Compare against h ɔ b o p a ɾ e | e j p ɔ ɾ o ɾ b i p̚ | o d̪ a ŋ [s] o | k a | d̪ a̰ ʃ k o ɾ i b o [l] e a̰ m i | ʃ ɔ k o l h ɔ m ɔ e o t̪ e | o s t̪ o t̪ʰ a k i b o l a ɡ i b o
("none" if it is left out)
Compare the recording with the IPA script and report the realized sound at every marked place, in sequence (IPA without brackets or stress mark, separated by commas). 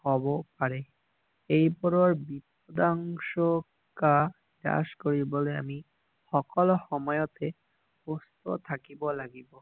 ʃ, l